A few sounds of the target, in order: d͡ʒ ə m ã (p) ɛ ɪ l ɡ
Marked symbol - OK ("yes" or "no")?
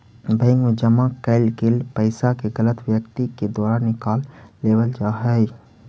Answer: no